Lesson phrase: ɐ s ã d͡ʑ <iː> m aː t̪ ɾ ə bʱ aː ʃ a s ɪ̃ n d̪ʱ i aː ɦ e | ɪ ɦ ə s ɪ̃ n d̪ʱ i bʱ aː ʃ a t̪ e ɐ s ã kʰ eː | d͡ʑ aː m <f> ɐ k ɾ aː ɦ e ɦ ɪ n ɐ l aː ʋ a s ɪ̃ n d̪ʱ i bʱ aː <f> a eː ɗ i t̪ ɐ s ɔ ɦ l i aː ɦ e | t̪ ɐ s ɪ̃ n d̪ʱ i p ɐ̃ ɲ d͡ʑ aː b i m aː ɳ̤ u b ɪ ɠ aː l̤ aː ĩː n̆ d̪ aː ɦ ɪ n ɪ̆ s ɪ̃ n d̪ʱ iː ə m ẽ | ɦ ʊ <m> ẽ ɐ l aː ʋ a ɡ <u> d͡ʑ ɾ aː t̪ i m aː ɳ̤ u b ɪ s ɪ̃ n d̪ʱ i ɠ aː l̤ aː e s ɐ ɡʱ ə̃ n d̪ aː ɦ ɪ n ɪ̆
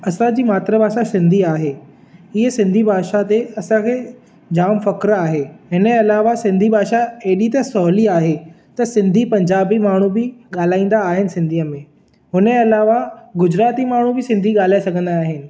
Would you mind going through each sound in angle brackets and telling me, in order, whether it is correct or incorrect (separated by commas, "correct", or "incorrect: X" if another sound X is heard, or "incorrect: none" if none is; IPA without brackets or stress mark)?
correct, correct, incorrect: ʃ, incorrect: n, incorrect: ʊ